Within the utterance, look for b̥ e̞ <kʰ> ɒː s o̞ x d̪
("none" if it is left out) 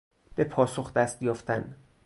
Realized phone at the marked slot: pʰ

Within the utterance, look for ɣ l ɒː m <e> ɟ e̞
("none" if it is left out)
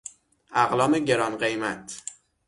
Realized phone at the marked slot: e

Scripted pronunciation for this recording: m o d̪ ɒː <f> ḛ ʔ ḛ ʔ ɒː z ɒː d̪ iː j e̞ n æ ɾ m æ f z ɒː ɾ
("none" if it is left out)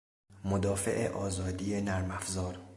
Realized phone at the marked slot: f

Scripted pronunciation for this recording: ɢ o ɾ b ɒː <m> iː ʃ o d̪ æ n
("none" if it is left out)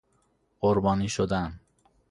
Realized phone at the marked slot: n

